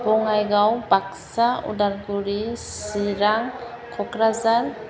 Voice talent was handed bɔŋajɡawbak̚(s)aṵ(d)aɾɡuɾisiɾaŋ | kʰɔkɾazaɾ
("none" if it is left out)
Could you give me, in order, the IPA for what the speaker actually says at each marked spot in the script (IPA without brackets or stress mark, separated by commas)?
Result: s, d